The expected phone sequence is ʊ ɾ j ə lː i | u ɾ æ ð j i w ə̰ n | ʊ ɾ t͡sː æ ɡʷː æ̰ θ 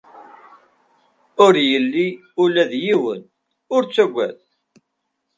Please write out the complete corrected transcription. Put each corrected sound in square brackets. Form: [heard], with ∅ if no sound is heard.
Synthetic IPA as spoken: ʊ ɾ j ə lː i | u [l] æ ð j i w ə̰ n | ʊ ɾ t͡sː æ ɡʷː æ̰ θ